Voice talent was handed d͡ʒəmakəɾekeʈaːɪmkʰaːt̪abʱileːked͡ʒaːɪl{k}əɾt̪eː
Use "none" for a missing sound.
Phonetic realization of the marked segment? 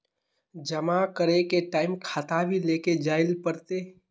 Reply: p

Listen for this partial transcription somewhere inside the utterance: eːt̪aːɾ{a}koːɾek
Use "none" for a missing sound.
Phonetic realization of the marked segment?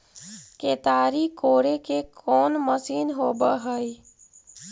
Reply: i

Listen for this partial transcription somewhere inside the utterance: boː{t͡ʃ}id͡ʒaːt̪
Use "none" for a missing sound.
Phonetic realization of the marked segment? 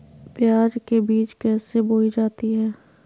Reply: none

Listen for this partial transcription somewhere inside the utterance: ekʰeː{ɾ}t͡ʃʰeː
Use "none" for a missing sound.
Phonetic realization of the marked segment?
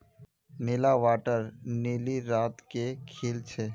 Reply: l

